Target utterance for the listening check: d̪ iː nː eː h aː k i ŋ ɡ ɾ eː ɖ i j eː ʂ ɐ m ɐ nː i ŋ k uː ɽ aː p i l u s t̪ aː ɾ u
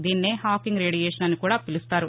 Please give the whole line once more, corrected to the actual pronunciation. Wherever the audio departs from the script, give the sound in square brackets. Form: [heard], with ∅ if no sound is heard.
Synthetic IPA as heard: d̪ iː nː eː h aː k i ŋ ɡ ɾ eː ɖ i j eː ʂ ɐ [n] ɐ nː i [∅] k uː ɽ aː p i l u s t̪ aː ɾ u